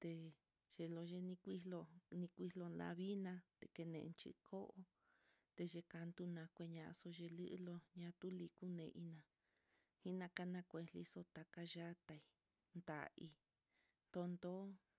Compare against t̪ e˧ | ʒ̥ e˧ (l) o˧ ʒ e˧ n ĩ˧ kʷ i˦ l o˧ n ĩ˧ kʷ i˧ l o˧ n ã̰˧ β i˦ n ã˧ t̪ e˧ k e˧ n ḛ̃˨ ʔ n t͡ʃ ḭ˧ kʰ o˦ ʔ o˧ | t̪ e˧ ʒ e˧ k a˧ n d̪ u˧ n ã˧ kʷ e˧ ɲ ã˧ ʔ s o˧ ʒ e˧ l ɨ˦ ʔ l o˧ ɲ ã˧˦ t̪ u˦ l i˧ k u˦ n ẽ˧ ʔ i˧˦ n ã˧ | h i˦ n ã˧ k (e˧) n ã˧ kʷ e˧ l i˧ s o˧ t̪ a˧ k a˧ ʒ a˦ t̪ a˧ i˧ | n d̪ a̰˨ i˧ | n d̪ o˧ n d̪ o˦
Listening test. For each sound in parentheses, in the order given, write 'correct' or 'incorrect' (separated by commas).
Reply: correct, incorrect